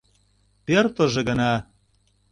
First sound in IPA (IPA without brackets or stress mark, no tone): p